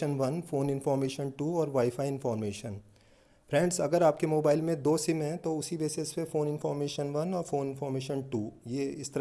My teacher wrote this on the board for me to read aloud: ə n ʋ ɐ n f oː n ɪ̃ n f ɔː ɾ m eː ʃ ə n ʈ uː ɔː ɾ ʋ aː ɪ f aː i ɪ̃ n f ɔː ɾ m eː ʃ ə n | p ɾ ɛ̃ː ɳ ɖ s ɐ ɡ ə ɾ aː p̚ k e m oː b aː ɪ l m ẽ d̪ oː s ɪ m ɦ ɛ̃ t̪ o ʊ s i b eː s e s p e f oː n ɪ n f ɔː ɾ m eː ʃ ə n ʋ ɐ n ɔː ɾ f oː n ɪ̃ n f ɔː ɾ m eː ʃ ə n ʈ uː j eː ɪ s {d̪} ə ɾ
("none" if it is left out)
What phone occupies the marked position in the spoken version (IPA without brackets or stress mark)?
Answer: t̪